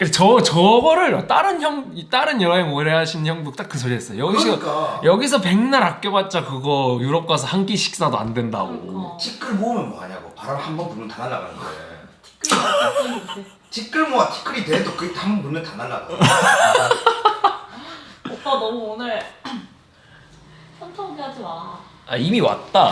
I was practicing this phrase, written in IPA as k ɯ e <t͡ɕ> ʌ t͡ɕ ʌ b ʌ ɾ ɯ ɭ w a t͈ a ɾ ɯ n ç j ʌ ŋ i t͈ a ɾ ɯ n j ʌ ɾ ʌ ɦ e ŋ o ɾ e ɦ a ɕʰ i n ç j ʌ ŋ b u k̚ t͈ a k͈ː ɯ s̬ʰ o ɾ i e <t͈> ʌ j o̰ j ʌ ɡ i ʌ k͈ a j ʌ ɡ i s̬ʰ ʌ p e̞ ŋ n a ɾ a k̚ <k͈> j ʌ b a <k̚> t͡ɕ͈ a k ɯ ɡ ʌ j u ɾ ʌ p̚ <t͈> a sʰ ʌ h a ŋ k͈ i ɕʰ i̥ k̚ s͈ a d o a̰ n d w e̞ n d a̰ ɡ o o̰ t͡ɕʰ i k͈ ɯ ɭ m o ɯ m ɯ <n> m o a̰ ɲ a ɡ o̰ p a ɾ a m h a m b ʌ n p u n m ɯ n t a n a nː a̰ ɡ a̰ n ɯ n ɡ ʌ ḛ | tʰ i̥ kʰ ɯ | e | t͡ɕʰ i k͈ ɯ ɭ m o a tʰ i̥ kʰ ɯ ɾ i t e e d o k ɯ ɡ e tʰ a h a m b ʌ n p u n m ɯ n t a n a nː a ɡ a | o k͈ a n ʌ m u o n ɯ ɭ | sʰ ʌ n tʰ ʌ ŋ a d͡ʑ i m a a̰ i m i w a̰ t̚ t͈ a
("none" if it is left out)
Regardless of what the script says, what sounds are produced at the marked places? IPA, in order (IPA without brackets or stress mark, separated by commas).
t͡ɕ, s͈, k͈, t̚, k͈, n